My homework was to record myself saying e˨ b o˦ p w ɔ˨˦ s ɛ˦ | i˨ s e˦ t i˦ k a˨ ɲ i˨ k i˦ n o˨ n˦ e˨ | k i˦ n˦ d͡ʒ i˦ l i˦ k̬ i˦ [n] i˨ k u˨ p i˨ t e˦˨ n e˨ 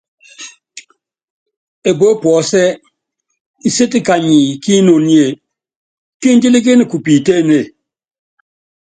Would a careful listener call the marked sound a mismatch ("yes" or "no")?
no